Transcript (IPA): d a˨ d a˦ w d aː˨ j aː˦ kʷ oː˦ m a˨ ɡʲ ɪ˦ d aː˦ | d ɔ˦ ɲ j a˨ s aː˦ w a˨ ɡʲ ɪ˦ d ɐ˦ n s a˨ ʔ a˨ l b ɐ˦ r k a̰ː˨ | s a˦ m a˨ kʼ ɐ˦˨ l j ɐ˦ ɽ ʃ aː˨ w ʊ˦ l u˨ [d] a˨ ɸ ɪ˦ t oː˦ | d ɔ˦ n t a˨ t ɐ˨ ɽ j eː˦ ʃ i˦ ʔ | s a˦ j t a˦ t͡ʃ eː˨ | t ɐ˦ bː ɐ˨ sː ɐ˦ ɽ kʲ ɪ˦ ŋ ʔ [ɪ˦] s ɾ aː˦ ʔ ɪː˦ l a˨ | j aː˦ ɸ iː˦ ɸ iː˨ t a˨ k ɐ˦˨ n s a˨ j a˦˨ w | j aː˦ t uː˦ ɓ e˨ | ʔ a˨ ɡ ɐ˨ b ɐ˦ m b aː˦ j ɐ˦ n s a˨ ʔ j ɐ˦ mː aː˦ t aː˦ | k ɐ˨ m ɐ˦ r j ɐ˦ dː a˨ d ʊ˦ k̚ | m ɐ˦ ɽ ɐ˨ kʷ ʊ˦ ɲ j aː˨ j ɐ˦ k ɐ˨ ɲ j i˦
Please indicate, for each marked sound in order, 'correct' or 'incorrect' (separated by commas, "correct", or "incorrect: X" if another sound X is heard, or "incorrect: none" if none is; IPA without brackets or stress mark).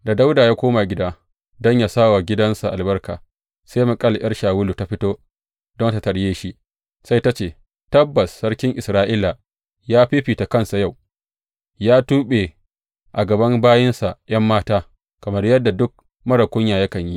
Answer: incorrect: t, incorrect: ɪ˨